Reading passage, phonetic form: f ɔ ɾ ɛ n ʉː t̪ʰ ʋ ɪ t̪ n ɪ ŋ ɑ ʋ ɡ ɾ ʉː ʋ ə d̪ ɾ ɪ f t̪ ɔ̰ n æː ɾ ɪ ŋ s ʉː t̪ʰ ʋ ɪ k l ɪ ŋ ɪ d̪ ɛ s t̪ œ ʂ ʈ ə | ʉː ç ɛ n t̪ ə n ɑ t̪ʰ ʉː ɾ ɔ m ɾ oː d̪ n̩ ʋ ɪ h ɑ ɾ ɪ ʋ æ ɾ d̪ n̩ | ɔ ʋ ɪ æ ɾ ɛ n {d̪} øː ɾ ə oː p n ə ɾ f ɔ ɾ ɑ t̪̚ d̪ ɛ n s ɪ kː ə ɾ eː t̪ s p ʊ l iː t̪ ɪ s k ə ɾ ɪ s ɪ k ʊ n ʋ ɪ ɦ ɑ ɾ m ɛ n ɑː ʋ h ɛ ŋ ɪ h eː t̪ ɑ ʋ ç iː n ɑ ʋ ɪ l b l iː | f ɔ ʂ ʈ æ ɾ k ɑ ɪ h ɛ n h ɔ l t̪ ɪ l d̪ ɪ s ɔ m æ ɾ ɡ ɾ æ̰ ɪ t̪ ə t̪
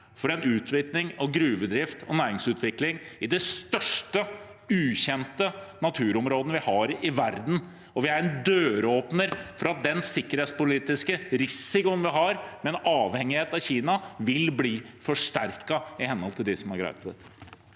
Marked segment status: correct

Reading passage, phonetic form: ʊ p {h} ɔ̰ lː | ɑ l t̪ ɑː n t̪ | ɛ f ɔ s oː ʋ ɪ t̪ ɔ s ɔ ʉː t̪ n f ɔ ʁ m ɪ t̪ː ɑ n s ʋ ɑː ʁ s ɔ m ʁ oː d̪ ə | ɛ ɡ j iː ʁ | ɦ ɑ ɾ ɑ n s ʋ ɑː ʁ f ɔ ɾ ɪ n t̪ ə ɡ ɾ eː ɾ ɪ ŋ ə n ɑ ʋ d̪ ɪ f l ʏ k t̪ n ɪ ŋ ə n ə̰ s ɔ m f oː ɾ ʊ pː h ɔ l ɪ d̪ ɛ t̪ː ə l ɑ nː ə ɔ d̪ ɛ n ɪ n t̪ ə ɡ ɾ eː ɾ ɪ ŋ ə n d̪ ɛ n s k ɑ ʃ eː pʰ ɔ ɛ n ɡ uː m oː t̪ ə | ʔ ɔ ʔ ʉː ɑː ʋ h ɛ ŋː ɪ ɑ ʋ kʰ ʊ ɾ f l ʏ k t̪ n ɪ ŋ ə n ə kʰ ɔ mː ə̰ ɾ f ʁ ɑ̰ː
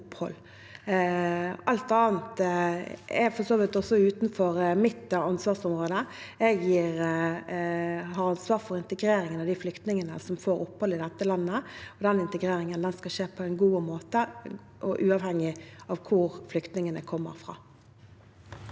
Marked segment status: correct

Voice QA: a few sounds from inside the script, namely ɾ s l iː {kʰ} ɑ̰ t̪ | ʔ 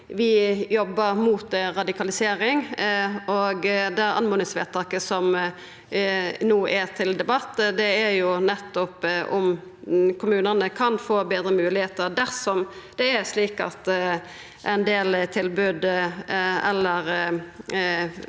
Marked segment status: incorrect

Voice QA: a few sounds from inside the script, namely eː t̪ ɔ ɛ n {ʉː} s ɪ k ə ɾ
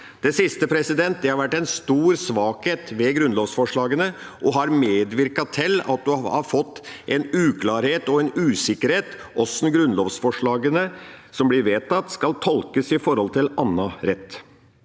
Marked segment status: correct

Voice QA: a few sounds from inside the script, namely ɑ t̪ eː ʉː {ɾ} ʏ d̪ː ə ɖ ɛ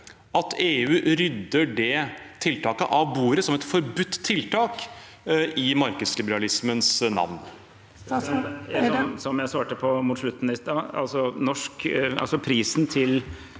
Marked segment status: correct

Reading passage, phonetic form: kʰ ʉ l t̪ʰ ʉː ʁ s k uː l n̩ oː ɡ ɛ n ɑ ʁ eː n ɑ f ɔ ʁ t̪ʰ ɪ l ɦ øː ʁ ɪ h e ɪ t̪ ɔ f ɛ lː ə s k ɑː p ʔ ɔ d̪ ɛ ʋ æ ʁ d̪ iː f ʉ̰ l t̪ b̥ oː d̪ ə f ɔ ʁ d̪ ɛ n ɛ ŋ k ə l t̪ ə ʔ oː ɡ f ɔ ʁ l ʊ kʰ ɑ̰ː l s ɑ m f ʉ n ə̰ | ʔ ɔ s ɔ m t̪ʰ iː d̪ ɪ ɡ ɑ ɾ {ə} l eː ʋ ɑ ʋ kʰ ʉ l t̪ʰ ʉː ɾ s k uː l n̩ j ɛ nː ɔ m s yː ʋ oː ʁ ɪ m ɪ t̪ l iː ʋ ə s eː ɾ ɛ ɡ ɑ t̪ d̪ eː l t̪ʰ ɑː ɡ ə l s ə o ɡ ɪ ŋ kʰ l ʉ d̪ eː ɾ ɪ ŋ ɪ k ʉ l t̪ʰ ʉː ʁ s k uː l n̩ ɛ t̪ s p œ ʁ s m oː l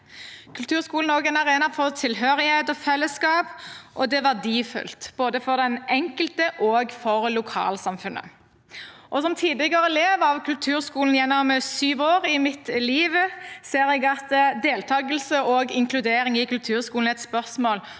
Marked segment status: correct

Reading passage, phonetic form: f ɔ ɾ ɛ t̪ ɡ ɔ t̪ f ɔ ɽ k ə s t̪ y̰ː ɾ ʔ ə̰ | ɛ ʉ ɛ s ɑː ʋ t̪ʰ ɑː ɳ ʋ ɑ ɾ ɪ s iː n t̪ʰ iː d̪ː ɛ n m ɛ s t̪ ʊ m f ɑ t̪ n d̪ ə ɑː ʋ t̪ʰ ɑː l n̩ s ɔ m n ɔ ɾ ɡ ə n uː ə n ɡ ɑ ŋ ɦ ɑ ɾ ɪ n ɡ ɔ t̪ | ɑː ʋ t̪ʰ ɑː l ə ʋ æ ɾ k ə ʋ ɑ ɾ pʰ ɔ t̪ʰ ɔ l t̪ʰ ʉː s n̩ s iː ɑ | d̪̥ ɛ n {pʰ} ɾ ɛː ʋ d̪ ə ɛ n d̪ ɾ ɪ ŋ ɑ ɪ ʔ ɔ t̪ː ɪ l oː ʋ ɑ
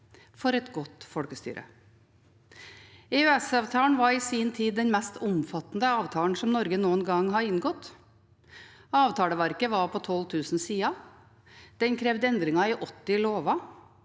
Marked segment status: incorrect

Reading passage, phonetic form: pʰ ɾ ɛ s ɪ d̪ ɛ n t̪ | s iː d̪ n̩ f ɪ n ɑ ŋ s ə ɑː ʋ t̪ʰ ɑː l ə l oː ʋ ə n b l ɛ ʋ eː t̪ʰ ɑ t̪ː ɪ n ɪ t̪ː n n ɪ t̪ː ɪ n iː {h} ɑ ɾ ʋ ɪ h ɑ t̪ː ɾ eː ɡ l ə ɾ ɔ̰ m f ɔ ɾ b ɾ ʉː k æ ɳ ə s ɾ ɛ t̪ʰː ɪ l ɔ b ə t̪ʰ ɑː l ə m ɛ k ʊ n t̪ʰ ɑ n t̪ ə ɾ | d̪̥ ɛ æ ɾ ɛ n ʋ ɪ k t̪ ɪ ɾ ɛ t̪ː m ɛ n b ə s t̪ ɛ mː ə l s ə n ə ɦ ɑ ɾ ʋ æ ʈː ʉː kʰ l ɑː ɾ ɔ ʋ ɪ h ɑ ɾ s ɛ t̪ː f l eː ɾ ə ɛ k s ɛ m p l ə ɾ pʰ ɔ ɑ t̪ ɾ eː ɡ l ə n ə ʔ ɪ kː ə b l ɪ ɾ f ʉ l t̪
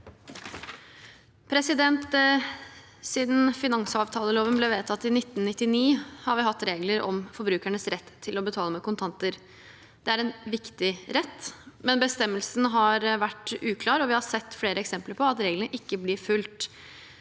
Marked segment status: correct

